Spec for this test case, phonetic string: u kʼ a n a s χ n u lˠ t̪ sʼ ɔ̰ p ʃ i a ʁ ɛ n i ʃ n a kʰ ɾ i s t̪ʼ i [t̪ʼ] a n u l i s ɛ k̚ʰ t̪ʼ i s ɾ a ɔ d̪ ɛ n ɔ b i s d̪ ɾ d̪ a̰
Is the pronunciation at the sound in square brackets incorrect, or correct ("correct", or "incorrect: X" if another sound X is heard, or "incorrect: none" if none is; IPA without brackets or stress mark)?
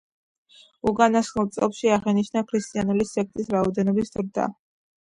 incorrect: none